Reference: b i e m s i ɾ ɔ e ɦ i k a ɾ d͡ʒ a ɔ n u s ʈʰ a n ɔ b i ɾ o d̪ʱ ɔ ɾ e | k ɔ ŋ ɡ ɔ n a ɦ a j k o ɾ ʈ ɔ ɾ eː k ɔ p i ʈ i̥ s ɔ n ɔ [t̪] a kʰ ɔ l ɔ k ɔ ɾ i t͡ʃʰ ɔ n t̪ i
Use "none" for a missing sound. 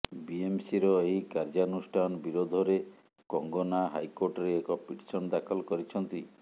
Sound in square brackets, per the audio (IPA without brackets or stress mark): d̪